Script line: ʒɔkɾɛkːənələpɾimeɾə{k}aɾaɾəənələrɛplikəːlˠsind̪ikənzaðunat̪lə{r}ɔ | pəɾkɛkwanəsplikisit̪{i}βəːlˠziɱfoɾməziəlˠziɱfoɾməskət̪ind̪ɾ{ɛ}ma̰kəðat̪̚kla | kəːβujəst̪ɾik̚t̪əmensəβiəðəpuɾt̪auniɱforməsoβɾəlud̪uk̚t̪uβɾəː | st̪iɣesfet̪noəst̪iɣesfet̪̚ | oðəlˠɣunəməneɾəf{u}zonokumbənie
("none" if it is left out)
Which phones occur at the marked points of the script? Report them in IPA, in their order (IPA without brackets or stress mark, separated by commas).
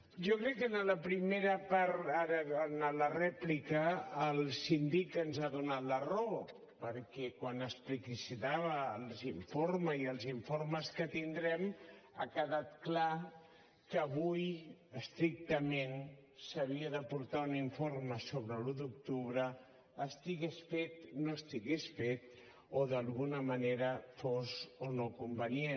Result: p, r, a, ɛ, o